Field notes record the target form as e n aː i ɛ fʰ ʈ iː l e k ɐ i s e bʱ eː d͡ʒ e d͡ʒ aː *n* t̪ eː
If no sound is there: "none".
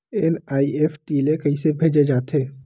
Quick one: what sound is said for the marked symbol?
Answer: none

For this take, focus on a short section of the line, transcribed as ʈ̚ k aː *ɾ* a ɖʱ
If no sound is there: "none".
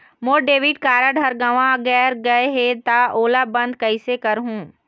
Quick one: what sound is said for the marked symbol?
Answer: ɾ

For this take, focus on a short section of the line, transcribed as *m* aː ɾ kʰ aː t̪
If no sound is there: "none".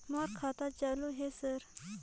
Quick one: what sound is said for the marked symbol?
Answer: m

